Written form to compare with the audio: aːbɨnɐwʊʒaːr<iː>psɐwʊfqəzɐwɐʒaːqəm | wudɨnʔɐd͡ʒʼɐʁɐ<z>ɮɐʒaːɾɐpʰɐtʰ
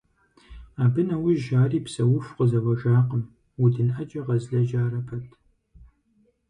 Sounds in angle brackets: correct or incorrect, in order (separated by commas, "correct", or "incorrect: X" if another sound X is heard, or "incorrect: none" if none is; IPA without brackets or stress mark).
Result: correct, correct